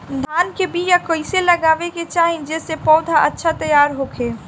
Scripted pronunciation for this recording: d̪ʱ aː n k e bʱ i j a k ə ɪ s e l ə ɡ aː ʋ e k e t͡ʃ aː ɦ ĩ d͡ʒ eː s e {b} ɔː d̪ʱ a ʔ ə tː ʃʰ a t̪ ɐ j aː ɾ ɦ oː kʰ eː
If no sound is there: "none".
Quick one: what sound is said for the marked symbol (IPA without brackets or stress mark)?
p